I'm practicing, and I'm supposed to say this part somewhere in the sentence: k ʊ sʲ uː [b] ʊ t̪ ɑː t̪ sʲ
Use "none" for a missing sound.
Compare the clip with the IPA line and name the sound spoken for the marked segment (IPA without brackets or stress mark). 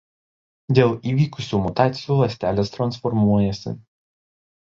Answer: m